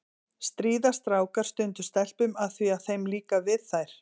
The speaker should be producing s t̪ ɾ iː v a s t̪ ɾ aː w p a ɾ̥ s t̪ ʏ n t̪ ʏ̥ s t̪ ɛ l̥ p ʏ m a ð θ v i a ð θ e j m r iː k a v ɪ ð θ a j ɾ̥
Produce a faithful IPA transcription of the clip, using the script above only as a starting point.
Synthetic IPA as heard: s t̪ ɾ iː ð a s t̪ ɾ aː w k a ɾ̥ s t̪ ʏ n t̪ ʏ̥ s t̪ ɛ l̥ p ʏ m a ð θ v i a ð θ e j m l iː k a v ɪ ð θ a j ɾ̥